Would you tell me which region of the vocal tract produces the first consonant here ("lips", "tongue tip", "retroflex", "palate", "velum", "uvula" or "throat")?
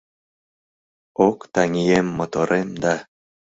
velum